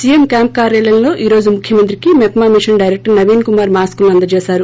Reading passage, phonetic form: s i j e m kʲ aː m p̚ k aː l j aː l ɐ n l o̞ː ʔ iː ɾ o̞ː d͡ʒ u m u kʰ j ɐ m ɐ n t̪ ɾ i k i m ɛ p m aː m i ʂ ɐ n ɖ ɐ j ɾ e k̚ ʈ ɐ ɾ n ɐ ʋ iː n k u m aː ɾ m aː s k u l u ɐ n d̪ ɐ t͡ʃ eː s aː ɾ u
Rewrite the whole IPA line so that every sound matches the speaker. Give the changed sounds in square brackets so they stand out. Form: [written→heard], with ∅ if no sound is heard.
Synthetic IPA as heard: s i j e m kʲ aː m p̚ k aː [l→ɾ] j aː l ɐ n l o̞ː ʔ iː ɾ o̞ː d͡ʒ u m u kʰ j ɐ m ɐ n t̪ ɾ i k i m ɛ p m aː m i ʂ ɐ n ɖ ɐ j ɾ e k̚ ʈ ɐ ɾ n ɐ ʋ iː n k u m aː ɾ m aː s k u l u ɐ n d̪ ɐ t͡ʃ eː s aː ɾ u